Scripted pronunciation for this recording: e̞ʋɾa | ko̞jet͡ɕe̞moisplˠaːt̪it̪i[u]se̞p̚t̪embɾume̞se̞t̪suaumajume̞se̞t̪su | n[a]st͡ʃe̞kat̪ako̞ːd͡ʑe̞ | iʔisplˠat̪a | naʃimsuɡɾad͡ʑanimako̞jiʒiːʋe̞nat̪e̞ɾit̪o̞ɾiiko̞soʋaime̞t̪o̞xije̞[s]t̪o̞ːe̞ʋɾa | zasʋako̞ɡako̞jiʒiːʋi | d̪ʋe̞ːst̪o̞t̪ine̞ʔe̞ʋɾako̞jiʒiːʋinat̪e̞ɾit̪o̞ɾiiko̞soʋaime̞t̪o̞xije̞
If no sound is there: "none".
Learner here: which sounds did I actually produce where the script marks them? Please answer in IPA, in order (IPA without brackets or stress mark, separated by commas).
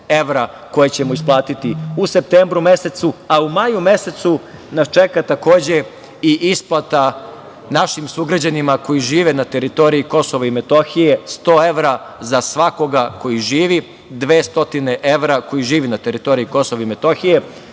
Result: u, a, s